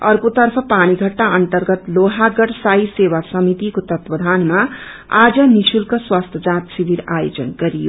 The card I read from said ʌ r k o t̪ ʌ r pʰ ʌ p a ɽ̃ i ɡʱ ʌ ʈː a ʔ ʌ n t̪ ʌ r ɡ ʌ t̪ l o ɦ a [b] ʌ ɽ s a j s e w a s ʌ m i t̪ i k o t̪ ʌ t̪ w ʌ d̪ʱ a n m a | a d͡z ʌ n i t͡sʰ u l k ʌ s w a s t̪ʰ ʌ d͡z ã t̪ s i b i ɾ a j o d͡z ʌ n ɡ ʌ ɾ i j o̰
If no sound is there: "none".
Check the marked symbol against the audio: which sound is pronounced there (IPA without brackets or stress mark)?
ɡ